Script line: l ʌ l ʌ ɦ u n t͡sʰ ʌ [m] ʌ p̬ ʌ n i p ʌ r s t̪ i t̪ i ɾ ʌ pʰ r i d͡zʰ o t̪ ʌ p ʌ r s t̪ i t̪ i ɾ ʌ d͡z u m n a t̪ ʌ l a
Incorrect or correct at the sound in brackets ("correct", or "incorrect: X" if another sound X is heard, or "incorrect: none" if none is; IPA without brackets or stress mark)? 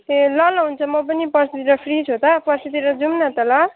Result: correct